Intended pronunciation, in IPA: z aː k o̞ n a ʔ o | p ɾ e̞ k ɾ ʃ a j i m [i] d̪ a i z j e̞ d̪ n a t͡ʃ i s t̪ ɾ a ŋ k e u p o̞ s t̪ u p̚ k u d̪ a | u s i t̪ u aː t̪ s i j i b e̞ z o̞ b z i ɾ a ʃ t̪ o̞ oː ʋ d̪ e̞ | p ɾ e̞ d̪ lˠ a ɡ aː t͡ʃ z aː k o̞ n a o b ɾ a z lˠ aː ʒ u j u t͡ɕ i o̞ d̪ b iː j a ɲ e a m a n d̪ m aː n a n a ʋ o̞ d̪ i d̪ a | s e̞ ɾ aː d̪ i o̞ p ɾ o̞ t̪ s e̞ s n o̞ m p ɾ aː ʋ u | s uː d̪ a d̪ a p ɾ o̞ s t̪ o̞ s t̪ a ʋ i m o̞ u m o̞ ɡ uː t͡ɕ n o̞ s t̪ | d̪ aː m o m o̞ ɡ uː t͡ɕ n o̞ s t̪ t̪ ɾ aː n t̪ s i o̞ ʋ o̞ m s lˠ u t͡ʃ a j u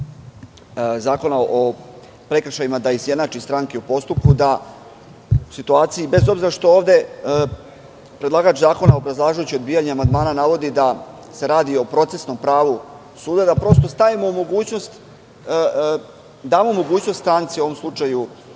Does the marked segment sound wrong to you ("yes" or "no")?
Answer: yes